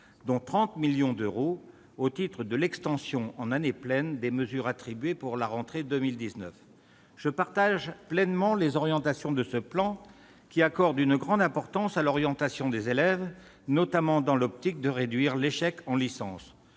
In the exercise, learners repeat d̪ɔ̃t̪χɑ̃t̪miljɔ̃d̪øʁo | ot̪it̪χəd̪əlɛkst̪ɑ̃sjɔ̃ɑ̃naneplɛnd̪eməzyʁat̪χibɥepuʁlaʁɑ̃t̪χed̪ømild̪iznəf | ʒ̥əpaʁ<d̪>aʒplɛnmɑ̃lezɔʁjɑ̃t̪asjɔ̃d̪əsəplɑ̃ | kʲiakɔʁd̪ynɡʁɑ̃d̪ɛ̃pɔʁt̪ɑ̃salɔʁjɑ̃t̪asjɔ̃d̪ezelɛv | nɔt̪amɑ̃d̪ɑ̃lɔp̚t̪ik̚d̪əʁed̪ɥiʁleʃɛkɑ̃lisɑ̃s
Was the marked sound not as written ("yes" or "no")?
yes